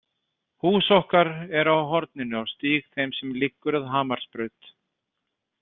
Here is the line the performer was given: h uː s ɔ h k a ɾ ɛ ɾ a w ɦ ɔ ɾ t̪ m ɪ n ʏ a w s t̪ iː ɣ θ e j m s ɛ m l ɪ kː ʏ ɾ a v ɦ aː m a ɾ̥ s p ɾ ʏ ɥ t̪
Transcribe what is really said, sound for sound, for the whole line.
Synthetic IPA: h uː s ɔ h k a ɾ ɛ ɾ a w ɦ ɔ ɾ t̪ n ɪ n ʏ a w s t̪ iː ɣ θ e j m s ɛ m l ɪ kː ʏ ɾ a ð ɦ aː m a ɾ̥ s p ɾ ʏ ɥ t̪